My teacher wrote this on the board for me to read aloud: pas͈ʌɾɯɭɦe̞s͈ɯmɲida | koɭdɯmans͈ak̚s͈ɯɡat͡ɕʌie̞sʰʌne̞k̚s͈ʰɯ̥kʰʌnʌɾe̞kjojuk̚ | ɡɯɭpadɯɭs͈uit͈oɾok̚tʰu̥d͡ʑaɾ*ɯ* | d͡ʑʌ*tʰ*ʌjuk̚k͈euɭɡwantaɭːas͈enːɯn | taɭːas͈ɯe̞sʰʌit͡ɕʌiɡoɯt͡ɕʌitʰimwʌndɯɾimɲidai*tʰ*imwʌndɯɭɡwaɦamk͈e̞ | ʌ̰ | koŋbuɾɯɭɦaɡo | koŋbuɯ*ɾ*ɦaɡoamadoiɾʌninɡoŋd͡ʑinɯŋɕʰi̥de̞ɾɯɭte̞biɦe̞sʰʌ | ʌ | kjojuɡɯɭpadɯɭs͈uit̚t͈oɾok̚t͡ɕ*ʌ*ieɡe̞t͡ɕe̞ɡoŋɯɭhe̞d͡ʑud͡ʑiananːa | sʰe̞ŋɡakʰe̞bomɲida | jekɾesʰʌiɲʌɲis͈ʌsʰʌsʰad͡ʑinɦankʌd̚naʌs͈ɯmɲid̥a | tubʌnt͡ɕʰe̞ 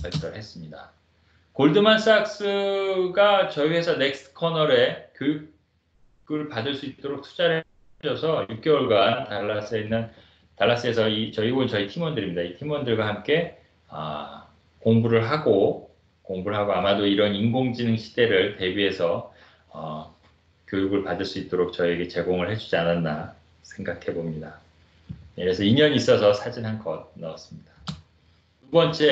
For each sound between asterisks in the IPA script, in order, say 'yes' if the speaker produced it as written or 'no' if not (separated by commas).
yes, no, yes, no, yes